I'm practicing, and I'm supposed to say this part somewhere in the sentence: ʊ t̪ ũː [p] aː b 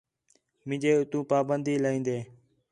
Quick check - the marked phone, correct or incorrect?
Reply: correct